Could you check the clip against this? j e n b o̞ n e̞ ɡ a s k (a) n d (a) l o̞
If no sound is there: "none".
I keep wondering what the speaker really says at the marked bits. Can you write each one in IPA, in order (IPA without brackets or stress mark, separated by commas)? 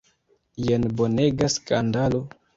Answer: a, a